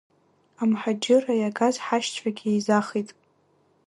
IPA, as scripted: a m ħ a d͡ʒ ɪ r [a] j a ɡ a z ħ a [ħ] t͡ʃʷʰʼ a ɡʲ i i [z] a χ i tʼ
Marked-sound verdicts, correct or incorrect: correct, incorrect, correct

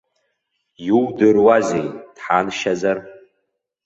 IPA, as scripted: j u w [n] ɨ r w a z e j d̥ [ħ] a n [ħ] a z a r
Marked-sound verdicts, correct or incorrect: incorrect, correct, incorrect

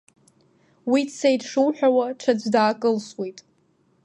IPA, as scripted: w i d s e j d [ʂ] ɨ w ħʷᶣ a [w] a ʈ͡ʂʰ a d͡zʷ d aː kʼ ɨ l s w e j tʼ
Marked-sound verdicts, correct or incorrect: correct, correct

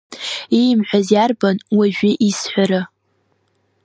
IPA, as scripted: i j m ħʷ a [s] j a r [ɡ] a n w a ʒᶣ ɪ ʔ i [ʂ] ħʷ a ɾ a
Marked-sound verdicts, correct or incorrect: incorrect, incorrect, incorrect

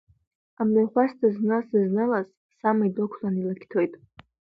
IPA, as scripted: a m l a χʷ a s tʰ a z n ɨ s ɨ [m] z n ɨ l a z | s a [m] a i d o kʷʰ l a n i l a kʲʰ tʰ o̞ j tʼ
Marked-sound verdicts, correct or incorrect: incorrect, correct

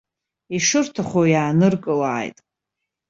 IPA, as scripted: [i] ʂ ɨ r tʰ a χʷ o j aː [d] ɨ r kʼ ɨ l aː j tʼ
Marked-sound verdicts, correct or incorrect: correct, incorrect

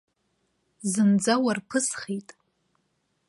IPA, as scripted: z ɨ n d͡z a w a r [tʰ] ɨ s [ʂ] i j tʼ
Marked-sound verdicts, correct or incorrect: incorrect, incorrect

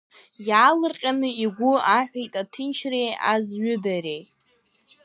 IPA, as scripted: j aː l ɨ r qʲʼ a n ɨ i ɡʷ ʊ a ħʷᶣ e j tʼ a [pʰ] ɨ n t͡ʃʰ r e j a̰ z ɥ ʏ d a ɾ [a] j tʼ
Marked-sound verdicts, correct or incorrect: incorrect, incorrect

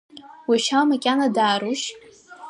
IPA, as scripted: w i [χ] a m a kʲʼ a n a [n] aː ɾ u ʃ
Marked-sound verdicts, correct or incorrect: incorrect, incorrect

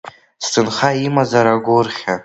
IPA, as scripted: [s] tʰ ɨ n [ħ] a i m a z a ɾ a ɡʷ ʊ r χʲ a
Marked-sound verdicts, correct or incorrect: correct, incorrect

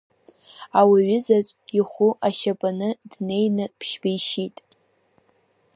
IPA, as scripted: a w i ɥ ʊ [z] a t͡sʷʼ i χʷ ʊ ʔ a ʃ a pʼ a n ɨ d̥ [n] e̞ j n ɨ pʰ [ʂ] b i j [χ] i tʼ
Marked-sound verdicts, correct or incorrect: correct, correct, incorrect, incorrect

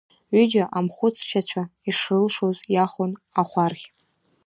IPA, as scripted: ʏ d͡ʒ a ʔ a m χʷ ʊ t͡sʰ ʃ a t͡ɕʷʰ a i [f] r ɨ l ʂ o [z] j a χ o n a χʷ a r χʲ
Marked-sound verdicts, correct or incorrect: incorrect, correct

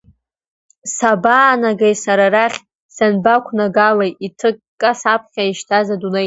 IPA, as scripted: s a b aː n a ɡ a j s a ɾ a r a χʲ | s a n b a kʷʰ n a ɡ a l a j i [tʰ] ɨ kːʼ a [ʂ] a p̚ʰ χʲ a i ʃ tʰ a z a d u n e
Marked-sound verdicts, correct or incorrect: correct, incorrect

